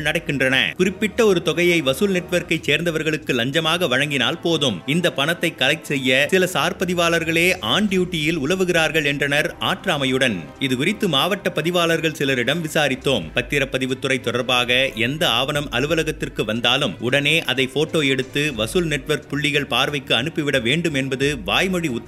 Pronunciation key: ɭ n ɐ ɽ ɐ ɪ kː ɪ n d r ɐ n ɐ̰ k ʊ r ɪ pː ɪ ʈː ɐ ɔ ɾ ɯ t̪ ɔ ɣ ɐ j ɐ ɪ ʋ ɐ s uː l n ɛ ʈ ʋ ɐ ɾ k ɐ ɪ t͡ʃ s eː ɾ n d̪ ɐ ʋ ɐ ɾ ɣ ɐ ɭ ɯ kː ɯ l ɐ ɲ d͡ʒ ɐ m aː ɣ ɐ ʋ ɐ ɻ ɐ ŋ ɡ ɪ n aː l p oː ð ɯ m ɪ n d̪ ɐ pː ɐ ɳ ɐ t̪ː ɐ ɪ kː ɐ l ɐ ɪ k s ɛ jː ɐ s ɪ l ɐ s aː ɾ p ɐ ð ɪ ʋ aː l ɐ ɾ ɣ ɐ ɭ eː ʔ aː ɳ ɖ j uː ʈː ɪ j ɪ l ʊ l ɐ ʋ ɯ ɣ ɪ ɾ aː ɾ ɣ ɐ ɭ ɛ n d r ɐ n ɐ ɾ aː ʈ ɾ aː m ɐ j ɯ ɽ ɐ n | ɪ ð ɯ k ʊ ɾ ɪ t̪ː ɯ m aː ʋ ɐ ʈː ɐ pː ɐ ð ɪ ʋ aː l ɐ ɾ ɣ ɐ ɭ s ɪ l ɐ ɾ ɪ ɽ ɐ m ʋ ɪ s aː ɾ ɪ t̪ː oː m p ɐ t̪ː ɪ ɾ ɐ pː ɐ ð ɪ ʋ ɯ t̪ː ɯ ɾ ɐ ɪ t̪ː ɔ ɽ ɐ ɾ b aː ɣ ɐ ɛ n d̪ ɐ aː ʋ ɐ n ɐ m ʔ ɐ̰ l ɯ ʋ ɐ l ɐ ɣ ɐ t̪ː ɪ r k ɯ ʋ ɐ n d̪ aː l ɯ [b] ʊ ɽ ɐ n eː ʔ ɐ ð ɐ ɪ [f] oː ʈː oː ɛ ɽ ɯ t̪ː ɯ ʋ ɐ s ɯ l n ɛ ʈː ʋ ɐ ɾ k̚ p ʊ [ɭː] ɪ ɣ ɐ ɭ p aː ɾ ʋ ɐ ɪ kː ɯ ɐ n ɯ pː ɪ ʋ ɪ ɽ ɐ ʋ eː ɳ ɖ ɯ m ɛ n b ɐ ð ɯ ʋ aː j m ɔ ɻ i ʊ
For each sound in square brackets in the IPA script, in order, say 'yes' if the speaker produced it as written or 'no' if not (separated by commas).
no, yes, yes